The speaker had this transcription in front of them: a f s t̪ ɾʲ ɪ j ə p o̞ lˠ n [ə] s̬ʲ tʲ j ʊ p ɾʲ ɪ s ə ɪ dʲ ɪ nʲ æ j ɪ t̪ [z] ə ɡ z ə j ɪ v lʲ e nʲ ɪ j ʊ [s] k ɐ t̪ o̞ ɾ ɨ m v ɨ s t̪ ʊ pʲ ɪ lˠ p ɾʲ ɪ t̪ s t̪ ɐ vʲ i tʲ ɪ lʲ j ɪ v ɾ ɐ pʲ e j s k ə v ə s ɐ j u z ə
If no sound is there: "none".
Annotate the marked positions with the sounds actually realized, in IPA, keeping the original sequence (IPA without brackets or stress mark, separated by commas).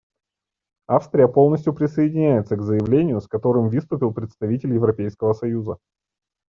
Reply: ə, s, s